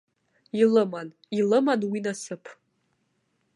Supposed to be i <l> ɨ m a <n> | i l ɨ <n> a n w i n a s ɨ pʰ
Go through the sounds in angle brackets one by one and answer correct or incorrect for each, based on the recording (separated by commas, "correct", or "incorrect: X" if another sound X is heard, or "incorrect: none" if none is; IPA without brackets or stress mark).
correct, correct, incorrect: m